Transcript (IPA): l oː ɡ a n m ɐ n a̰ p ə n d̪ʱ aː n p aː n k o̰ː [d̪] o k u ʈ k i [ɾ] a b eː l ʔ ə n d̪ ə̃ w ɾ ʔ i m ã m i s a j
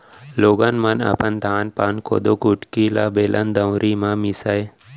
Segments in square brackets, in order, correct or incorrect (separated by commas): correct, incorrect